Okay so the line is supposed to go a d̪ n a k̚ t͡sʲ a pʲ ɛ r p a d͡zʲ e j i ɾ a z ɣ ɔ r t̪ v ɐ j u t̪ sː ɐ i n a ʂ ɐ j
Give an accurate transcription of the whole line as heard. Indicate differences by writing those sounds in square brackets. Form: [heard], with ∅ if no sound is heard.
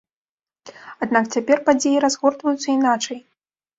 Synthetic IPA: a d̪ n a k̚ t͡sʲ a pʲ ɛ r p a d͡zʲ e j i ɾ a z ɣ ɔ r t̪ v ɐ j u t̪ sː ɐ i n a [t͡ʂ] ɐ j